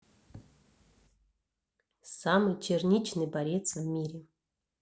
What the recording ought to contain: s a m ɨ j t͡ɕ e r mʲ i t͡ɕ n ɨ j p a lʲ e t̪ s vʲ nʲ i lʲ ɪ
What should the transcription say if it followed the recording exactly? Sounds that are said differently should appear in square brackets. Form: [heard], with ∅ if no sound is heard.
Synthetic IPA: s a m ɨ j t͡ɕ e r [nʲ] i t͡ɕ n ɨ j [b] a [ɾʲ] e t̪ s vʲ [mʲ] i [ɾʲ] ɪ